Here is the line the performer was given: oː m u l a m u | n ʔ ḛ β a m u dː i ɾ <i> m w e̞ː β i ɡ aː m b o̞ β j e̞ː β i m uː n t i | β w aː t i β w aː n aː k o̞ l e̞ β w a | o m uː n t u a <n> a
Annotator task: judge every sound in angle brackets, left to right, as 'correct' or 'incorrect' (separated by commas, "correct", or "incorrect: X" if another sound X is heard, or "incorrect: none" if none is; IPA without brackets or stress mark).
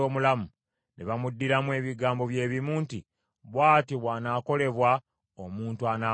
incorrect: a, correct